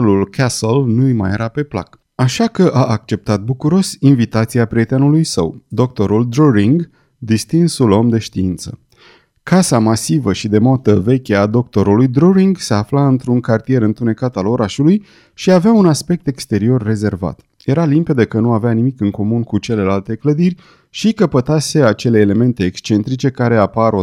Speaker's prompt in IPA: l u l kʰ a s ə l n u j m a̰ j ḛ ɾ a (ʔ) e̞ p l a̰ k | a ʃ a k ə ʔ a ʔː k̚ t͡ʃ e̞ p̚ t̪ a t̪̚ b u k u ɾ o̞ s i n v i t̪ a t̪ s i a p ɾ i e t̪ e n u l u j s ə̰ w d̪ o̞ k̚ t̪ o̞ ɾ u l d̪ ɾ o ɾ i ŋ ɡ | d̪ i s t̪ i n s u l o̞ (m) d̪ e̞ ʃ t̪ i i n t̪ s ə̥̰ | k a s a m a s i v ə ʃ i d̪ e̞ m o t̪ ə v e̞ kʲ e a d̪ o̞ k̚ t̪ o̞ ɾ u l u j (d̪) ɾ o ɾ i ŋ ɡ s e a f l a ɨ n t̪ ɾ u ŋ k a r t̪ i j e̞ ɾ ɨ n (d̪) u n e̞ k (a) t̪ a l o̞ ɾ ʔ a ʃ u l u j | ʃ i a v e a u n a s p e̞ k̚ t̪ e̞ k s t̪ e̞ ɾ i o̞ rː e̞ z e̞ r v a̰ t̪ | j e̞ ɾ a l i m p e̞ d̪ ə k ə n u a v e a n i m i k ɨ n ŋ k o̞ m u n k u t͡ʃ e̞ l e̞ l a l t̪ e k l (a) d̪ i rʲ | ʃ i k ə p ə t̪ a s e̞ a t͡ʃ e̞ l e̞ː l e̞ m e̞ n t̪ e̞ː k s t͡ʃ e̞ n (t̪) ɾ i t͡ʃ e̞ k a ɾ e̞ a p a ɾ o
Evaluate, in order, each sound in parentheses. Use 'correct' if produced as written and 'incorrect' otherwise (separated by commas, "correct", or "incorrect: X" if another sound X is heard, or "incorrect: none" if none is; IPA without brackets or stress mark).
incorrect: p, correct, correct, incorrect: t̪, correct, incorrect: ə, correct